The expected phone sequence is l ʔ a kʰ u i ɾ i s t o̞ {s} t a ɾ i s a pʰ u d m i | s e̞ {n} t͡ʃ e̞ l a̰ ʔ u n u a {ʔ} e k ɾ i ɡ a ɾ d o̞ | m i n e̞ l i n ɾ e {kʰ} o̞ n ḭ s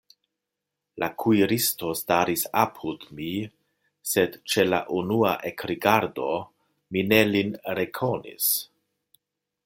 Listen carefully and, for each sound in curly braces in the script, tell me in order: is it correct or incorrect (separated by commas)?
correct, incorrect, correct, correct